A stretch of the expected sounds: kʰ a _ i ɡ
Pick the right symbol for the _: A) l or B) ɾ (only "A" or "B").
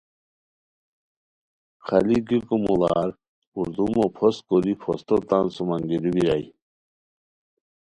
A